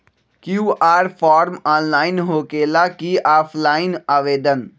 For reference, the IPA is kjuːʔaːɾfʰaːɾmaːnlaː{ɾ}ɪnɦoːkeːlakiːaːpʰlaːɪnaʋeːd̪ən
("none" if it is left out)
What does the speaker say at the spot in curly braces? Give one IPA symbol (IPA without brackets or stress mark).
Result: none